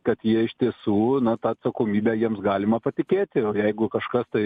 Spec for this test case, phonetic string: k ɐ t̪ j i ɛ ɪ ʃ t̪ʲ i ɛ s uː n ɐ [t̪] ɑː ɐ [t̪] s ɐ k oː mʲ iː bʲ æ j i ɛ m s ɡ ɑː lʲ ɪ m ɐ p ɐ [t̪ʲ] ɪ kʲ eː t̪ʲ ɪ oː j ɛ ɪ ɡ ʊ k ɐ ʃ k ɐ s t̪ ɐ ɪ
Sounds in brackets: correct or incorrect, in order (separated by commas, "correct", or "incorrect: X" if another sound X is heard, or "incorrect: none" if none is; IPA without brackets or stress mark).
correct, correct, correct